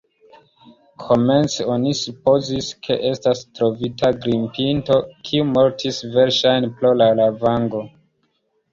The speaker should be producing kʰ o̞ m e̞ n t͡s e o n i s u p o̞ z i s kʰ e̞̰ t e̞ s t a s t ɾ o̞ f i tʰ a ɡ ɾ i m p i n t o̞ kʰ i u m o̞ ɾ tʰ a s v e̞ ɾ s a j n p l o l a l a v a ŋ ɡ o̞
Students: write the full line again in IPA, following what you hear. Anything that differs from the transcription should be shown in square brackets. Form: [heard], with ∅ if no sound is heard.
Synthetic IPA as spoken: kʰ o̞ m e̞ n t͡s e o n i s u p o̞ z i s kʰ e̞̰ [ʔ] e̞ s t a s t ɾ o̞ [v] i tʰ a ɡ ɾ i m p i n t o̞ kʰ i u m o̞ ɾ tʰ [i] s v e̞ ɾ [ʃ] a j n p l o l a l a v a ŋ ɡ o̞